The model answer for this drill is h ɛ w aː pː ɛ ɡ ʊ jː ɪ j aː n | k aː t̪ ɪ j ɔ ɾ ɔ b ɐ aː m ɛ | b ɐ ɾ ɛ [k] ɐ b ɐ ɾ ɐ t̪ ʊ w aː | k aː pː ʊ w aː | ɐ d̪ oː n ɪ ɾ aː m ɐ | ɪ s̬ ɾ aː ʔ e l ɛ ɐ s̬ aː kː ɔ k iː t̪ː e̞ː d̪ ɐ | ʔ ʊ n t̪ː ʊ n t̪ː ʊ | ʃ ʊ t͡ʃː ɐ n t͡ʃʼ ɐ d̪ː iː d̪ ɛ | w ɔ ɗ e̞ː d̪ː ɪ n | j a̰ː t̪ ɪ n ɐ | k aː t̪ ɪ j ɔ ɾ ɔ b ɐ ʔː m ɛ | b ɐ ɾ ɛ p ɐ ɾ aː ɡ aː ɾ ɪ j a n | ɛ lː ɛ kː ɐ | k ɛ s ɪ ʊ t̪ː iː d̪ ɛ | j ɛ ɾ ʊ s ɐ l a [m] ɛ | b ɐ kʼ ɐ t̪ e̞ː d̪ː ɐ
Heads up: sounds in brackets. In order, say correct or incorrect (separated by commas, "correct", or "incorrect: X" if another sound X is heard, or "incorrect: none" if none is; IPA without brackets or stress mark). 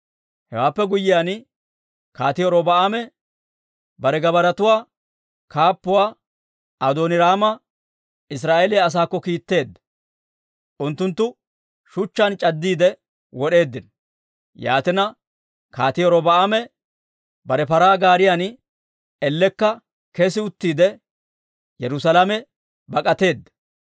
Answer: incorrect: ɡ, correct